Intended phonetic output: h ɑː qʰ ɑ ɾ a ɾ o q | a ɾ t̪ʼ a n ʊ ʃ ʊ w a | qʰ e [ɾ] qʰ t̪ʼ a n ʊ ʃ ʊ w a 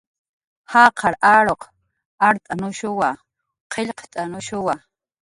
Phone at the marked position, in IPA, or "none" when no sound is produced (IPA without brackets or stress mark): ʎ